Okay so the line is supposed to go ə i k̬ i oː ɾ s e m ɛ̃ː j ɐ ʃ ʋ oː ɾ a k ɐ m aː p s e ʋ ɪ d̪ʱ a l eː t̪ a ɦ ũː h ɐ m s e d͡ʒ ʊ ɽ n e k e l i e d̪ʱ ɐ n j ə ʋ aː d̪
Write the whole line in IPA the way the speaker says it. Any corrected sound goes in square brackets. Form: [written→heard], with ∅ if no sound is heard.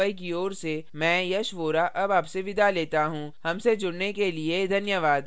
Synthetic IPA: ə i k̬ i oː ɾ s e m ɛ̃ː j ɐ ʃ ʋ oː ɾ a [k→ʔ] ɐ [m→b] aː p s e ʋ ɪ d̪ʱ a l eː t̪ a ɦ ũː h ɐ m s e d͡ʒ ʊ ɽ n e k e l i e d̪ʱ ɐ n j ə ʋ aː d̪